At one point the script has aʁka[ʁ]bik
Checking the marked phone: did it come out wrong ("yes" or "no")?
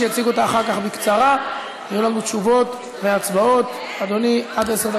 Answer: yes